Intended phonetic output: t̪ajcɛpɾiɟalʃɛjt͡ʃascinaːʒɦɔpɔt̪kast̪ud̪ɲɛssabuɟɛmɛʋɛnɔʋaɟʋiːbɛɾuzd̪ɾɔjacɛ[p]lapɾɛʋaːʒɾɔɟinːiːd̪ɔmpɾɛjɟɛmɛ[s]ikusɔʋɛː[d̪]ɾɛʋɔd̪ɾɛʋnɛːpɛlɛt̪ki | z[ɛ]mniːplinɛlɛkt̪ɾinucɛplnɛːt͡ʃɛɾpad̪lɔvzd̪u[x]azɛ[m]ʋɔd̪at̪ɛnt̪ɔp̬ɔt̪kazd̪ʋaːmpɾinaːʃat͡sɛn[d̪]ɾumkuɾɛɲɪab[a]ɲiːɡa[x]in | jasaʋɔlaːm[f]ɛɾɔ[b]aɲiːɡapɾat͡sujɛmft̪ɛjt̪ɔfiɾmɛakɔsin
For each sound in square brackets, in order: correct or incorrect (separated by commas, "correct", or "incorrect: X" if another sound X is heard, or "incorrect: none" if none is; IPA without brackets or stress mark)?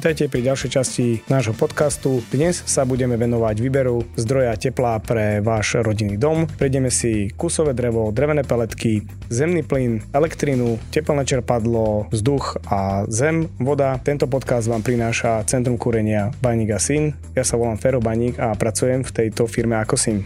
correct, correct, correct, correct, correct, correct, incorrect: t̪, correct, incorrect: s, correct, correct